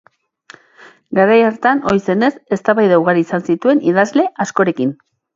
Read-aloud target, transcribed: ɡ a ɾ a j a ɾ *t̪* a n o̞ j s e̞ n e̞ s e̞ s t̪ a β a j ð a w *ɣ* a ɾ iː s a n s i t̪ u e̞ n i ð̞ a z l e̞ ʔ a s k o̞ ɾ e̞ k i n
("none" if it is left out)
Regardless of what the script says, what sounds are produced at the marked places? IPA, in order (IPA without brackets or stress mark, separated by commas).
t̪, ɣ